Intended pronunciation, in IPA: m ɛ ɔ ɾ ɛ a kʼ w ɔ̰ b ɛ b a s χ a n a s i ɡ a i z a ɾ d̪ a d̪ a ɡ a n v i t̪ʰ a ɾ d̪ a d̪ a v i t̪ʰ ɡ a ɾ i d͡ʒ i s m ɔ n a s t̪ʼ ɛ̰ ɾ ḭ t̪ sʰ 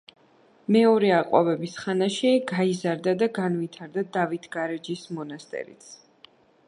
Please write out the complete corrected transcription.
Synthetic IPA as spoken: m ɛ ɔ ɾ ɛ a qʼ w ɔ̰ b ɛ b i s χ a n a ʃ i ɡ a i z a ɾ d̪ a d̪ a ɡ a n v i t̪ʰ a ɾ d̪ a d̪ a v i t̪ʰ ɡ a ɾ ɛ d͡ʒ i s m ɔ n a s t̪ʼ ɛ̰ ɾ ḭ t̪ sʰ